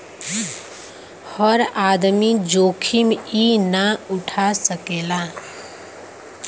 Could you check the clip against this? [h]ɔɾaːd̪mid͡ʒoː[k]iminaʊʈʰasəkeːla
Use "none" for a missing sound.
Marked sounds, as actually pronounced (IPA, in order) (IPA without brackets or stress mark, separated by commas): h, kʰ